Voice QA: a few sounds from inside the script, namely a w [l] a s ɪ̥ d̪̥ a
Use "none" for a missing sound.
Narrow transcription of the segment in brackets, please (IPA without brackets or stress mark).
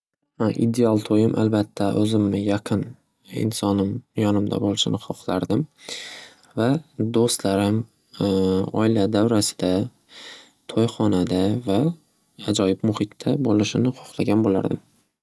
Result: ɾ